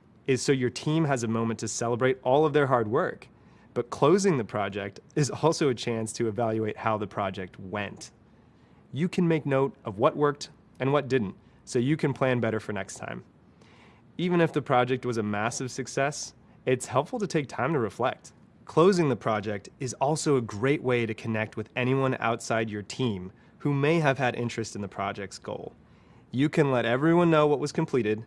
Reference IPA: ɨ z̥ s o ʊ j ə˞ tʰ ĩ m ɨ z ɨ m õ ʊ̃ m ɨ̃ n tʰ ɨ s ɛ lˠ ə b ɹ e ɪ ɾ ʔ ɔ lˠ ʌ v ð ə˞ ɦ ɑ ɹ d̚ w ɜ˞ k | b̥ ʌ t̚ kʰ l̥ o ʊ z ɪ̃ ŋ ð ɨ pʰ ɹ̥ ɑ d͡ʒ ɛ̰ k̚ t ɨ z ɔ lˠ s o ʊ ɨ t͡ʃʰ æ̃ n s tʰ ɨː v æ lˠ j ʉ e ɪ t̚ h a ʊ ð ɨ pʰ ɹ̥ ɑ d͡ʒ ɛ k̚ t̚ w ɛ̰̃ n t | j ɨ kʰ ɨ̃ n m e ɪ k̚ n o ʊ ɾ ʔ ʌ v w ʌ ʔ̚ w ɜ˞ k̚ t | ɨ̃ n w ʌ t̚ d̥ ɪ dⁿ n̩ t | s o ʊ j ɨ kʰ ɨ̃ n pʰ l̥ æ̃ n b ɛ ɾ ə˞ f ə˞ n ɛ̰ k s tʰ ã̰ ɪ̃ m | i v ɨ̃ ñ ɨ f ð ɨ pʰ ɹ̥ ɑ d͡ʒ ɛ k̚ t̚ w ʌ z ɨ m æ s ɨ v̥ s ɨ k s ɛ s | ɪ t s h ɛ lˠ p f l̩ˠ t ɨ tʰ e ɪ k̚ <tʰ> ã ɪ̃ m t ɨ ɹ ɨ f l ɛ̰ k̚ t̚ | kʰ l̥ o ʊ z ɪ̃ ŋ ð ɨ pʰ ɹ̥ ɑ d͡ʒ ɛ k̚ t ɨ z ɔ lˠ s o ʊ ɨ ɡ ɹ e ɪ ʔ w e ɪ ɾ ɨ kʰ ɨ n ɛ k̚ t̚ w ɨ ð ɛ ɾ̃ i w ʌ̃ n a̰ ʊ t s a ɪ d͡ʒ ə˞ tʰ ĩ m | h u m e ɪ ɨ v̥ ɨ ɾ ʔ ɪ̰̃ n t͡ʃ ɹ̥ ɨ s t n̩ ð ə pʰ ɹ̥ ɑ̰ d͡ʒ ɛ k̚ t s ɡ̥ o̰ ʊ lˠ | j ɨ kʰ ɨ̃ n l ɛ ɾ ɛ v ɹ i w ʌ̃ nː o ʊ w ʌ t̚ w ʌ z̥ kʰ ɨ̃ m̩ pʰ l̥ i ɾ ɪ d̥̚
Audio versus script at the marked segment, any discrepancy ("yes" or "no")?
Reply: no